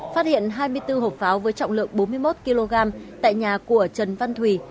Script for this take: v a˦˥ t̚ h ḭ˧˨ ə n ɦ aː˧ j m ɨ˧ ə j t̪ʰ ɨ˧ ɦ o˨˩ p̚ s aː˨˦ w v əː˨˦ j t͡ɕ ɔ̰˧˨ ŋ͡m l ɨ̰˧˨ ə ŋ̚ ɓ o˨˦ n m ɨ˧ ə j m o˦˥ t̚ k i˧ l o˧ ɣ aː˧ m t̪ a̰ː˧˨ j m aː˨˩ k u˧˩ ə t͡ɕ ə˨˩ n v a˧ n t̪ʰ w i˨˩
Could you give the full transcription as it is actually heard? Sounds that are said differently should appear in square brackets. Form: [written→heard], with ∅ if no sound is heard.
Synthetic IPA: [v→f] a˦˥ t̚ h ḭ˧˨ ə n ɦ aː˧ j m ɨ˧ ə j [t̪ʰ→t̪] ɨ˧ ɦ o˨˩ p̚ [s→f] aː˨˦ w v əː˨˦ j t͡ɕ ɔ̰˧˨ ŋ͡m l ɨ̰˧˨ ə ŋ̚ ɓ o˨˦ n m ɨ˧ ə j m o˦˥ t̚ k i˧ l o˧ ɣ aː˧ m t̪ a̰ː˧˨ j [m→ɲ] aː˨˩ k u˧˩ ə t͡ɕ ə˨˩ n v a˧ n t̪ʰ w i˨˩